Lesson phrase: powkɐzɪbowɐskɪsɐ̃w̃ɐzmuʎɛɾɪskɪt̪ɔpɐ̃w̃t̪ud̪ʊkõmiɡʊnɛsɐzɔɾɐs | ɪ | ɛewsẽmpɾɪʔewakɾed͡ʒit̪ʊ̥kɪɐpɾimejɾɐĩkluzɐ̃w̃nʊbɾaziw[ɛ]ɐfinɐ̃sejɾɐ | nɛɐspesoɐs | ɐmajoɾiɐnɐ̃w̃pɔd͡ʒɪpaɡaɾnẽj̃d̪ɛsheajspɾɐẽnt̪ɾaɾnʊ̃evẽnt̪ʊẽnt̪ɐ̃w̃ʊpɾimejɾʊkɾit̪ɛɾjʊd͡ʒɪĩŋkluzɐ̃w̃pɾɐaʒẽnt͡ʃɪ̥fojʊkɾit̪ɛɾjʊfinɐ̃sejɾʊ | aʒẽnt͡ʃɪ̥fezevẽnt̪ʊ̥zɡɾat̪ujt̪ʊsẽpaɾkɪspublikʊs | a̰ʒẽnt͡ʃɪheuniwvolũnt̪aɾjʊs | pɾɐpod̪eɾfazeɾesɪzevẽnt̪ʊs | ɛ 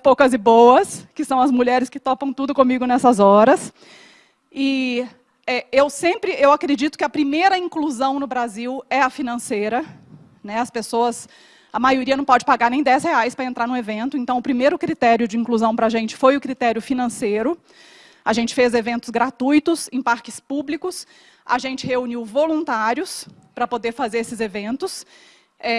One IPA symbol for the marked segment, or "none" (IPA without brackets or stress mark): ɛ